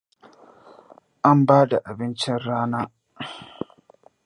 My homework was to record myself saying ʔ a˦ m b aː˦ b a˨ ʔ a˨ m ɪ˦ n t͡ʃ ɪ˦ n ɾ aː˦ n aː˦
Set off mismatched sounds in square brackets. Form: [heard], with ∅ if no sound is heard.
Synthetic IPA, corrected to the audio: ʔ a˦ m b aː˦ [d] a˨ ʔ a˨ [b] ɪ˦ n t͡ʃ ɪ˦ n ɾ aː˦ n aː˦